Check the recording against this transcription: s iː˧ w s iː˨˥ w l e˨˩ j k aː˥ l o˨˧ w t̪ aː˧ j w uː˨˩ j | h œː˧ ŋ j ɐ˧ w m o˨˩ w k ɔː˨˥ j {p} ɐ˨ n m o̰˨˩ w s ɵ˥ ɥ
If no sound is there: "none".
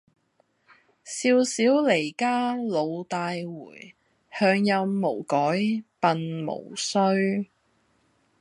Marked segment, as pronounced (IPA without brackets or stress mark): p